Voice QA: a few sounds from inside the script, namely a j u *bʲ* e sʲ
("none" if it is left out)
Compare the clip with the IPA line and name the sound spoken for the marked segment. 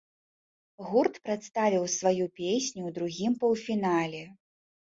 pʲ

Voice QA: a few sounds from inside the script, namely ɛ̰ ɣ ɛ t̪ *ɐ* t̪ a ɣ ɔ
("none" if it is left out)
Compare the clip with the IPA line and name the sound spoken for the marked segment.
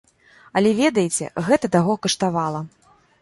ɐ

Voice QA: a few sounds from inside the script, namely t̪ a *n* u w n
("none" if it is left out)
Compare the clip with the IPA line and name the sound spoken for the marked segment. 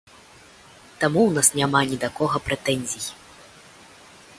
m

